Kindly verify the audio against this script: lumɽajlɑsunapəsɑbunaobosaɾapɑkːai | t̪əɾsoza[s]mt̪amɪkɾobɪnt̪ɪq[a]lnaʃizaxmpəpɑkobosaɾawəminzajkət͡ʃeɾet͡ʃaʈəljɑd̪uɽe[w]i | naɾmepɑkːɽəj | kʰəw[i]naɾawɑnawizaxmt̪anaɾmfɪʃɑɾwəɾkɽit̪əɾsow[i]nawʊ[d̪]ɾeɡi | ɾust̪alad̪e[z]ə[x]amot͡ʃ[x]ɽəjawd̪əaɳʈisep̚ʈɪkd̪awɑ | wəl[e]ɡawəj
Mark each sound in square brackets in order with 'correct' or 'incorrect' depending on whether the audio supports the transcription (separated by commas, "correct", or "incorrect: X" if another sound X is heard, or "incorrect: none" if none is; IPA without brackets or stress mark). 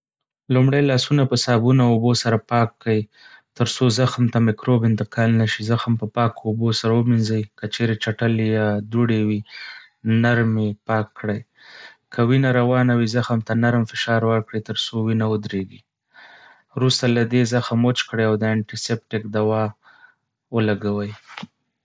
incorrect: x, incorrect: ɑ, correct, correct, correct, correct, correct, correct, incorrect: k, incorrect: a